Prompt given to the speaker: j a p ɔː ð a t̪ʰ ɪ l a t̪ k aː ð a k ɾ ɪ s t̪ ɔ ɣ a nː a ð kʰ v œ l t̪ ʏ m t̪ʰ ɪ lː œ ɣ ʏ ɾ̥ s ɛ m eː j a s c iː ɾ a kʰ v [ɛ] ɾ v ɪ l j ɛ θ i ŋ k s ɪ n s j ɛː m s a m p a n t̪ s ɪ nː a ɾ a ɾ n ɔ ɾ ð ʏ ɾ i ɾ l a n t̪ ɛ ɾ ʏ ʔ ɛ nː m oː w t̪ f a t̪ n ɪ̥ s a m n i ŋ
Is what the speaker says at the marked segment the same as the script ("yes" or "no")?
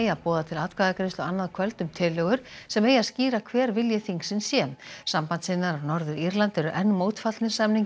no